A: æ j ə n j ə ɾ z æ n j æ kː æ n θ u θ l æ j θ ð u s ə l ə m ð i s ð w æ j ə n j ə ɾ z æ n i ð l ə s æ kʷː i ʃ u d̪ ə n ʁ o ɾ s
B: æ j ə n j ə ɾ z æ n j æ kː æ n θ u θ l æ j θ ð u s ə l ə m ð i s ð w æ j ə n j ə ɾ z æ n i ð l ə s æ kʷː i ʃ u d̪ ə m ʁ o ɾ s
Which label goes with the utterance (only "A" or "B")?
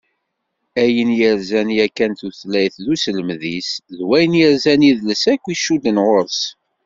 A